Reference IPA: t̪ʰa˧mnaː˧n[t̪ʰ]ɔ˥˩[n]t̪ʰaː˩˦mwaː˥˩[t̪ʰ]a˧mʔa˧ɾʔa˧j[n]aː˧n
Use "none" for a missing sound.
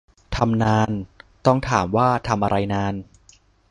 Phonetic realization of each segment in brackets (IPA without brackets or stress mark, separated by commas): t̪, ŋ, t̪ʰ, n